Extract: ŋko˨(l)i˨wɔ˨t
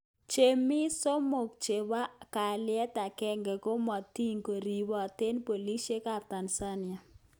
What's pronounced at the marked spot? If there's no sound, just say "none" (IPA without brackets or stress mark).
ɾ